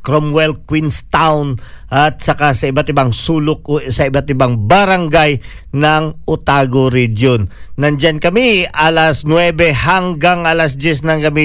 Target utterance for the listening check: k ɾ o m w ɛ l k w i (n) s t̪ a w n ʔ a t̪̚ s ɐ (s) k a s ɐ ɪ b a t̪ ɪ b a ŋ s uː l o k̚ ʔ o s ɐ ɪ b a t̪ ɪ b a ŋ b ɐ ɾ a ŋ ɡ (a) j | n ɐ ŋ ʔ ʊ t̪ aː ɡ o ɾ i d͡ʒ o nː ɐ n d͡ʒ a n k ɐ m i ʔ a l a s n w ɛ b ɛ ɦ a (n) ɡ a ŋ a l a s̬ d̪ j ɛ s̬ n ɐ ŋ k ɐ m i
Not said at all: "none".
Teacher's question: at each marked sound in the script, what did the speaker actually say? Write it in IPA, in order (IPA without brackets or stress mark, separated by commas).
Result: n, none, a, ŋ